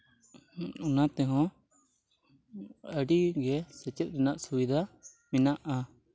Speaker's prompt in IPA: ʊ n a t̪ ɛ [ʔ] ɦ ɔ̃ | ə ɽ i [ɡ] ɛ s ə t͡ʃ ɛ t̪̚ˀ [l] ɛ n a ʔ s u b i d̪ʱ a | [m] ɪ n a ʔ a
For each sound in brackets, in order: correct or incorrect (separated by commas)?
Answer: incorrect, correct, incorrect, correct